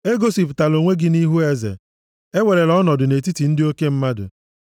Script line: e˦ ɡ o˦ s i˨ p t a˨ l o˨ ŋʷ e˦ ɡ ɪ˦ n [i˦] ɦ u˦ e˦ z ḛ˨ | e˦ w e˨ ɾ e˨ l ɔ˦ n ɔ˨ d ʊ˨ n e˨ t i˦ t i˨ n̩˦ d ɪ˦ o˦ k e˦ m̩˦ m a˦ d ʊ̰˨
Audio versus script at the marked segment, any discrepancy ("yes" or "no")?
no